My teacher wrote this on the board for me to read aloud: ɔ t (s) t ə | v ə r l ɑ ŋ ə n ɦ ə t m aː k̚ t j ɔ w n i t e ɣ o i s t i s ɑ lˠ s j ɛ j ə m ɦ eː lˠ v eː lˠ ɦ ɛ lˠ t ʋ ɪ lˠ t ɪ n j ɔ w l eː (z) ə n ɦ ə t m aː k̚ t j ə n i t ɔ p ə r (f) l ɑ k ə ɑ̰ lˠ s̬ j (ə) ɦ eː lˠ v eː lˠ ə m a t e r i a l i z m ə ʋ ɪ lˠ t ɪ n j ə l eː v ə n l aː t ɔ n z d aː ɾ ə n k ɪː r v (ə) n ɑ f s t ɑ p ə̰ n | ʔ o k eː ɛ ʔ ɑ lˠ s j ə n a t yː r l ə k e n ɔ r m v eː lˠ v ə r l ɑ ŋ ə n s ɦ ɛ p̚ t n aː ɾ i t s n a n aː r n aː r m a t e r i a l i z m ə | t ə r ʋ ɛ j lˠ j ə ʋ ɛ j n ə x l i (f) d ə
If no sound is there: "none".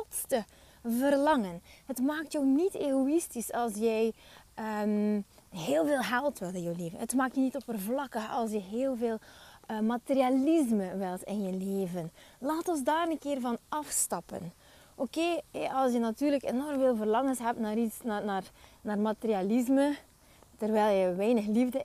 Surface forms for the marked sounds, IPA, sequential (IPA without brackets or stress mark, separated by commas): s, v, v, ə, ɑ, v